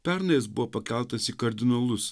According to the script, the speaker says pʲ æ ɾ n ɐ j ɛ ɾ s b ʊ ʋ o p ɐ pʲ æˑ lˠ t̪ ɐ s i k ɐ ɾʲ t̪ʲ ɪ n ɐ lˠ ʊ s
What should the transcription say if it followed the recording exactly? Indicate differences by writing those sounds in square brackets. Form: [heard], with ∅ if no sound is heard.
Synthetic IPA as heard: pʲ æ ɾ n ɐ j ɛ [∅] s b ʊ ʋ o p ɐ [kʲ] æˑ lˠ t̪ ɐ s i k ɐ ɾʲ [d̪ʲ] ɪ n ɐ lˠ ʊ s